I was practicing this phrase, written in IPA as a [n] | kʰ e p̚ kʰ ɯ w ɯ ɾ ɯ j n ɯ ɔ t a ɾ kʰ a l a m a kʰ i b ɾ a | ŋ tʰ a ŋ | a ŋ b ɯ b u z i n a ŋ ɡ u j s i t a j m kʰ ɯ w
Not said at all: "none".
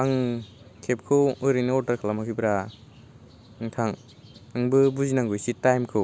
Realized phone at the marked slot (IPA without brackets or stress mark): ŋ